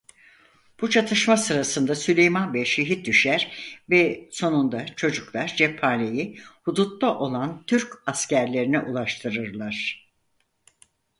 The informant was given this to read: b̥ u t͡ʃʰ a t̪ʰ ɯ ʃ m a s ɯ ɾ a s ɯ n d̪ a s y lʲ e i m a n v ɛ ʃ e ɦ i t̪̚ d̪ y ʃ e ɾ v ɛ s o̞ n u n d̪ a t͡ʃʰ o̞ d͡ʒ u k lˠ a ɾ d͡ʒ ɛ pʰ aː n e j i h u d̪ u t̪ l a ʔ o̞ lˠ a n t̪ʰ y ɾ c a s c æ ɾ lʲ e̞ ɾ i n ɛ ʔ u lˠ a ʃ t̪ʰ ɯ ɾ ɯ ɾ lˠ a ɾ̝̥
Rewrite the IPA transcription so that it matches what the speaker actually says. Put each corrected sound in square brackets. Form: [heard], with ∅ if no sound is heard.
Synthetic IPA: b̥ u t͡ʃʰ a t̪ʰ ɯ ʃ m a s ɯ ɾ a s ɯ n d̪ a s y lʲ e [j] m a n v ɛ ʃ e ɦ i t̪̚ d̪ y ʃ [æ] ɾ v ɛ s o̞ n u n d̪ a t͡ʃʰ o̞ d͡ʒ u k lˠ a ɾ d͡ʒ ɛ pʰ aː n e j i h u d̪ u t̪ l a ʔ o̞ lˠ a n t̪ʰ y ɾ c a s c æ ɾ lʲ e̞ ɾ i n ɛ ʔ u lˠ a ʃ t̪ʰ ɯ ɾ ɯ ɾ lˠ a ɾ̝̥